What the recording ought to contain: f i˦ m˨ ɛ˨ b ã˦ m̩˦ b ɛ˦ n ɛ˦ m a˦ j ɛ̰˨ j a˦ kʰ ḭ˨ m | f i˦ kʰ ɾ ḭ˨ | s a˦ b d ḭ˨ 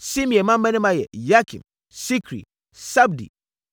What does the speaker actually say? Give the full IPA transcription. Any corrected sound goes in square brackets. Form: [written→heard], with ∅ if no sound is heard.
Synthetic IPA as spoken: [f→s] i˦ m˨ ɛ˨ [b→m] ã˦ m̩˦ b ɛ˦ n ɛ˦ m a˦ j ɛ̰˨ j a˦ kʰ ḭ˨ m | [f→s] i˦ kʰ ɾ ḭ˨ | s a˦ b d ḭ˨